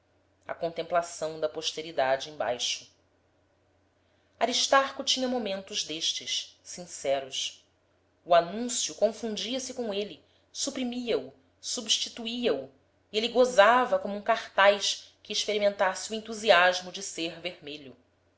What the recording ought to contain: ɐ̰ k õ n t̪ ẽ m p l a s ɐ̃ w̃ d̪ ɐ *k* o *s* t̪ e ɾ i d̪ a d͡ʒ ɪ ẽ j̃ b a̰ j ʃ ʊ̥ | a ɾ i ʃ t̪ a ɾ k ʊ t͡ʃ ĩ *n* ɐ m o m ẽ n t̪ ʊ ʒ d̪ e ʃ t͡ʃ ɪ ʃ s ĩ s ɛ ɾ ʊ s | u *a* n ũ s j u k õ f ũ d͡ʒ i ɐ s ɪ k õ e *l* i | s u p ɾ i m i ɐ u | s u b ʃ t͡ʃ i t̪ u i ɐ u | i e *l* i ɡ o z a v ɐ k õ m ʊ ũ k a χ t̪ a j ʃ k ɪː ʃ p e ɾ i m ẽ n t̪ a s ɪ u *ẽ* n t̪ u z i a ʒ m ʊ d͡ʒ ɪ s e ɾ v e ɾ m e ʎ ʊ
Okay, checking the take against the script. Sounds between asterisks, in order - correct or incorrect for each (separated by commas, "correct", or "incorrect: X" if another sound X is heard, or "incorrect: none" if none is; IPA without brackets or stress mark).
incorrect: p, incorrect: ʃ, incorrect: ɲ, correct, correct, correct, correct